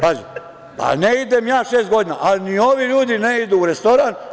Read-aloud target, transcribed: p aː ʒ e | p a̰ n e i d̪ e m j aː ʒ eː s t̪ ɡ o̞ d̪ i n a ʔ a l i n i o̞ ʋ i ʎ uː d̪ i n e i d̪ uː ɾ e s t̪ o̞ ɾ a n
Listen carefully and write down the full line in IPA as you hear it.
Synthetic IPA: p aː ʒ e | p a̰ n e i d̪ e m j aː ʃ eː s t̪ ɡ o̞ d̪ i n a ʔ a l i n i o̞ ʋ i ʎ uː d̪ i n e i d̪ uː ɾ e s t̪ o̞ ɾ a n